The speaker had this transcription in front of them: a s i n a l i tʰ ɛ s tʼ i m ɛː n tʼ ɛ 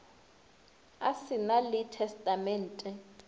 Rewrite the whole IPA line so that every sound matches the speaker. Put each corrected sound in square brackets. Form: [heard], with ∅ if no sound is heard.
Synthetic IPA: a s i n a l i tʰ ɛ s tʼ [a] m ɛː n tʼ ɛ